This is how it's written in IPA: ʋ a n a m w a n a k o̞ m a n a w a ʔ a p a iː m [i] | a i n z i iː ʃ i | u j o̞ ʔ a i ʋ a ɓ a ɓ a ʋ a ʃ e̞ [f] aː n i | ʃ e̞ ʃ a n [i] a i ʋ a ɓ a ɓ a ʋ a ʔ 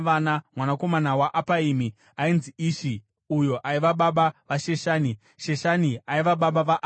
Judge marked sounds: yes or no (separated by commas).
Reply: yes, no, yes